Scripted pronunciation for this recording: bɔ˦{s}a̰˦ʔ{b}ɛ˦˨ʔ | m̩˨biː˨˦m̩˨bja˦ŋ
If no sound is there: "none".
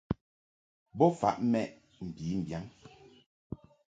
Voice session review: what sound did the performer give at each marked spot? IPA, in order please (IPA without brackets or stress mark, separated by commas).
f, m